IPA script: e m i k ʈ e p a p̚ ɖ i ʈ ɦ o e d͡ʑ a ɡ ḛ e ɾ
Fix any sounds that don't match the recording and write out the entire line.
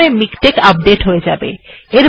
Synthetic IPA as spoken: e m i k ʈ e k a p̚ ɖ e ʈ ɦ o e d͡ʑ a b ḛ e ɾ